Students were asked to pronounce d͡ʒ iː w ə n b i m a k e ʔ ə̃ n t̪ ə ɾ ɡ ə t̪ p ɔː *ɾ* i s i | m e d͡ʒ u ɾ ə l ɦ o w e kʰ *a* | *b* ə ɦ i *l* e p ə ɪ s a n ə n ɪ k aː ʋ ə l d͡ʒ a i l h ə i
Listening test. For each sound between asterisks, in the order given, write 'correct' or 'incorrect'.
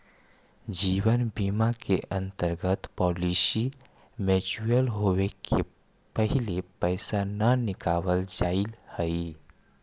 incorrect: l, incorrect: e, incorrect: p, correct

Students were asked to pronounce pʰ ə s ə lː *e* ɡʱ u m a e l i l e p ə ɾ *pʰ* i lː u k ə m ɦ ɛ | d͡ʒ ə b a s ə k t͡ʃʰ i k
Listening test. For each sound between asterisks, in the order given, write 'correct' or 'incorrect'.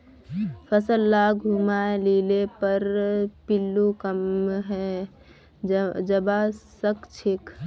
incorrect: a, incorrect: p

